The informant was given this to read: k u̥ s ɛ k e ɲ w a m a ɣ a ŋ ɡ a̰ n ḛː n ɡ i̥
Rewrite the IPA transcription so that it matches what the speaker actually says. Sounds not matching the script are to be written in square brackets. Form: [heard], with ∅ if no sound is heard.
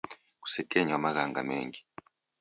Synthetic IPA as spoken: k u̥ s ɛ k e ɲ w a m a ɣ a ŋ ɡ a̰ [m] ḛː [ŋ] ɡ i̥